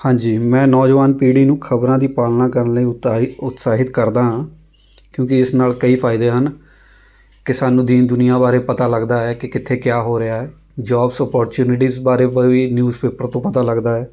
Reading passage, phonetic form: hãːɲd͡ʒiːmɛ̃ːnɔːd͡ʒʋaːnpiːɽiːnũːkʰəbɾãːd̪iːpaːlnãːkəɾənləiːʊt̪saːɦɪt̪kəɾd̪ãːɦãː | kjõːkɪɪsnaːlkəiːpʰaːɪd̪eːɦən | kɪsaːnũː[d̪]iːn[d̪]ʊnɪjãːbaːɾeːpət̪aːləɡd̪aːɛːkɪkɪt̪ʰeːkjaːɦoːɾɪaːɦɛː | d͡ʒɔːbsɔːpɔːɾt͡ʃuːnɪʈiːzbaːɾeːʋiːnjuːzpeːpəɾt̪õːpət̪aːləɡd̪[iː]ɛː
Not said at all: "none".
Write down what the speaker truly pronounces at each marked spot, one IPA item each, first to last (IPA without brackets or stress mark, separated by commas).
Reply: d̪, d̪, aː